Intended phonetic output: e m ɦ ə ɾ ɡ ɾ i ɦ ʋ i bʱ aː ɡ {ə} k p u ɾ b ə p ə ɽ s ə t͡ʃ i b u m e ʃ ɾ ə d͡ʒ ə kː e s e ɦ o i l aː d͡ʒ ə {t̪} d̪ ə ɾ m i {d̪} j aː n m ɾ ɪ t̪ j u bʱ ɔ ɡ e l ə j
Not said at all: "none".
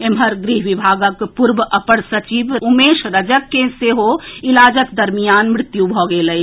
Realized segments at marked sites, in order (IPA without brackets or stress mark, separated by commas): ə, t̪, none